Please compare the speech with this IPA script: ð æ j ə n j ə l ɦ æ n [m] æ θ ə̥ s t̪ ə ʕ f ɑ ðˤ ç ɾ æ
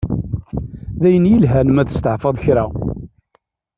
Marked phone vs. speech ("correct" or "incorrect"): correct